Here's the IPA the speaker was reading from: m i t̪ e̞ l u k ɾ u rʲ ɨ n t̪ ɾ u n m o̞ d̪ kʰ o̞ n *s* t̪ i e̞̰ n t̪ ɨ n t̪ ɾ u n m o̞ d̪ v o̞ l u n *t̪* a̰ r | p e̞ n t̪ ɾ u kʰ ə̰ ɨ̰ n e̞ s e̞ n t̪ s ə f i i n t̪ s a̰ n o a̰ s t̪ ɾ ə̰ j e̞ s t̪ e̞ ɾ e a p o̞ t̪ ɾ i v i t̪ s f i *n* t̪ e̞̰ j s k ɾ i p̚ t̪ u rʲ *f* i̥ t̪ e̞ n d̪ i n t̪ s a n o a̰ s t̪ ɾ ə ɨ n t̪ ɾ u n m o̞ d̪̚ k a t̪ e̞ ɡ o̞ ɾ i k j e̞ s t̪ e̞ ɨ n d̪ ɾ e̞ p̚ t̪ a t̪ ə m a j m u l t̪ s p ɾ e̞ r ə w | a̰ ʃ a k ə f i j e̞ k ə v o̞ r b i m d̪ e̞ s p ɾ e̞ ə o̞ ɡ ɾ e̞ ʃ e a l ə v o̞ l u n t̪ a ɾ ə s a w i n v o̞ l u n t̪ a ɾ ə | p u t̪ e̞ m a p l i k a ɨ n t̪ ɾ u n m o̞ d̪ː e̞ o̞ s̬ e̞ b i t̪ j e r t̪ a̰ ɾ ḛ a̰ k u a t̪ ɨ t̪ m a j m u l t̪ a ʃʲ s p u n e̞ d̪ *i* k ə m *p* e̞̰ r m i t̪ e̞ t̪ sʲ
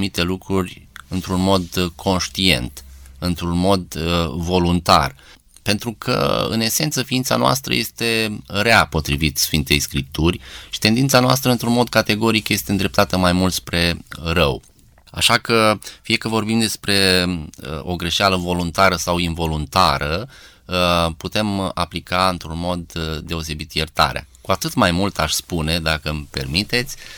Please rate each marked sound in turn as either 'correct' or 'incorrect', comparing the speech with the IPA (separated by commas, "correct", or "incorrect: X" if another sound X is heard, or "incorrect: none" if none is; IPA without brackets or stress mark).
incorrect: ʃ, correct, correct, incorrect: ʃ, incorrect: a, correct